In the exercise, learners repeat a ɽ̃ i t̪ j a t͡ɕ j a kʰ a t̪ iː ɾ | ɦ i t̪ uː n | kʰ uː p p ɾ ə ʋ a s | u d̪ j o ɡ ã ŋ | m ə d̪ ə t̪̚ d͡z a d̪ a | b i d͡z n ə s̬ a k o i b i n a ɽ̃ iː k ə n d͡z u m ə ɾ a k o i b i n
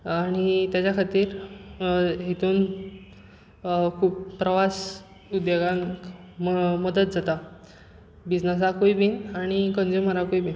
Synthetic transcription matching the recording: a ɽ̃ i t̪ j a t͡ɕ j a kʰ a t̪ iː ɾ | ɦ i t̪ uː n | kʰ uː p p ɾ ə ʋ a s | u d̪ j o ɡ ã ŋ | m ə d̪ ə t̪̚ d͡z a t̪ a | b i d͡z n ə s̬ a k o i b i n a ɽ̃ i k ə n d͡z u m ə ɾ a k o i b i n